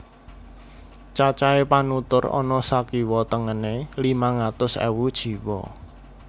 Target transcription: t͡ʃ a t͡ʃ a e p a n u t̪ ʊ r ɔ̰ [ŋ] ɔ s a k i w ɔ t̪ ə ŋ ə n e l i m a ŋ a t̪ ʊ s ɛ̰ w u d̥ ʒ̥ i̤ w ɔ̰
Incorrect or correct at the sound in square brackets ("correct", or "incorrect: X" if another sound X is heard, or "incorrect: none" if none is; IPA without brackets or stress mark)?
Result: incorrect: n